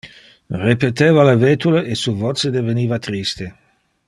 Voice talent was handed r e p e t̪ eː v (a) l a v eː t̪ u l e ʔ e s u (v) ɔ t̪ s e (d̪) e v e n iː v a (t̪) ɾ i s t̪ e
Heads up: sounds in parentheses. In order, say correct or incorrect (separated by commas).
correct, correct, correct, correct